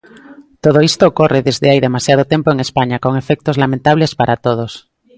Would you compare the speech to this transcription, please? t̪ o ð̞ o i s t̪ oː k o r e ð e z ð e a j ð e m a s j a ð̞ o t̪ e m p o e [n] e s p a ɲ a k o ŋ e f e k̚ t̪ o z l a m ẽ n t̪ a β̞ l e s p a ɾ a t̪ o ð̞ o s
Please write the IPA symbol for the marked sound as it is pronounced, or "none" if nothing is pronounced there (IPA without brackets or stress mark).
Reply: ŋ